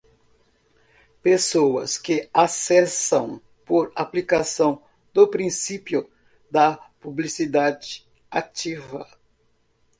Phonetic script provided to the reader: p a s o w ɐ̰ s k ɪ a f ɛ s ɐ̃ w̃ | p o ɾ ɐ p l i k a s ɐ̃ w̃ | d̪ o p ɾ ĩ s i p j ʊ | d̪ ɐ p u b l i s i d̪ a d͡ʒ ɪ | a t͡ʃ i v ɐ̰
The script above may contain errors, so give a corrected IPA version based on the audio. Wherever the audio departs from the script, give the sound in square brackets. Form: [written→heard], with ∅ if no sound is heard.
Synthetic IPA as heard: p [a→e] s o w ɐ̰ s k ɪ a [f→s] ɛ s ɐ̃ w̃ | p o ɾ [ɐ→a] p l i k a s ɐ̃ w̃ | d̪ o p ɾ ĩ s i p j ʊ | d̪ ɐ p u b l i s i d̪ a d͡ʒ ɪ | a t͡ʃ i v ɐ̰